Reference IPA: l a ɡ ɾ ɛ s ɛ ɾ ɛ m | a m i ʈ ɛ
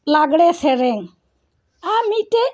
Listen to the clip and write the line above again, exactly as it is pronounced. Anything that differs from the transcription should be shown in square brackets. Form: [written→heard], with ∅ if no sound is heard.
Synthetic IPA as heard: l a ɡ [ɾ→ɽ] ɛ s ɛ ɾ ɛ [m→ŋ] | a m i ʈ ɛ